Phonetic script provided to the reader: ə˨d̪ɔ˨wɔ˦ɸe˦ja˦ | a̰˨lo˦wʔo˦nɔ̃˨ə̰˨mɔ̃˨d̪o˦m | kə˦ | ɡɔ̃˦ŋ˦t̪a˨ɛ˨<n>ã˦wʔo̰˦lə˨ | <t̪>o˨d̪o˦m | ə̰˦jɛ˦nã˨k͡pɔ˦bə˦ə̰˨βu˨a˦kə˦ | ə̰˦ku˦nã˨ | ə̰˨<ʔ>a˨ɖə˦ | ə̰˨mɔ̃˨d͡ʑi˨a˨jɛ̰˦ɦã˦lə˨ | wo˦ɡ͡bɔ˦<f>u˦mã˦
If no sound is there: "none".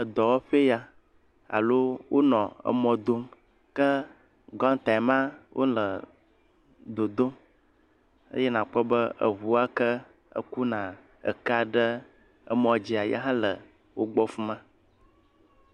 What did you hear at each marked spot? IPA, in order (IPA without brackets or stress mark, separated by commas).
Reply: m, d̪, k, f